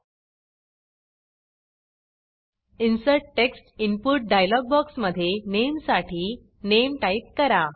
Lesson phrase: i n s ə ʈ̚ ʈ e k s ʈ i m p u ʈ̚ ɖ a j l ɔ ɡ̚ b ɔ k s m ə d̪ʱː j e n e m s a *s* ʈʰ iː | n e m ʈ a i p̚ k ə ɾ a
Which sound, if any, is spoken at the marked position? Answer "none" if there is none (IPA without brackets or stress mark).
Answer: none